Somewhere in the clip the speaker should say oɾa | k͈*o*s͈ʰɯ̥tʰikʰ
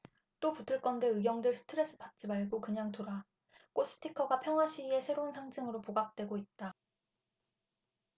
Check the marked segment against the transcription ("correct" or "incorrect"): correct